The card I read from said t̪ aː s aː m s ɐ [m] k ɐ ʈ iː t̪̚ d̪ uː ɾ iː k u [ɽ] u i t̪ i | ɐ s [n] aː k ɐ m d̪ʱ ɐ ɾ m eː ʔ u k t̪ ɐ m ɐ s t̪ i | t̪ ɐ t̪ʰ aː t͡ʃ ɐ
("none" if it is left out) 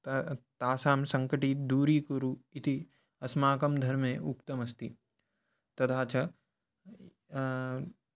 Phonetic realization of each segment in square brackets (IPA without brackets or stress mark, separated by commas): ŋ, ɾ, m